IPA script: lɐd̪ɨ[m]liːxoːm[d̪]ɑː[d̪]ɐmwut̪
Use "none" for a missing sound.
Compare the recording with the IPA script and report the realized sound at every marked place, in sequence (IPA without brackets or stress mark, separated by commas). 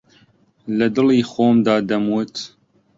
none, d̪, d̪